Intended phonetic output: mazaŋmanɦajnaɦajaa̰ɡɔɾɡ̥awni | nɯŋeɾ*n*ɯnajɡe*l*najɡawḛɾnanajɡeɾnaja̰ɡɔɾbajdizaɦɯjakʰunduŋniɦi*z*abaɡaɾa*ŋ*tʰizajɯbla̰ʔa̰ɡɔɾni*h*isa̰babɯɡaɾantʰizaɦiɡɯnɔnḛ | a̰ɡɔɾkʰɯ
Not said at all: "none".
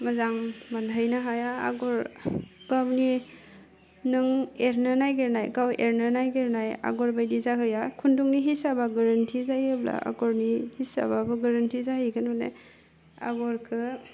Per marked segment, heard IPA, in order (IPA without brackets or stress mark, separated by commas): n, ɾ, s, n, h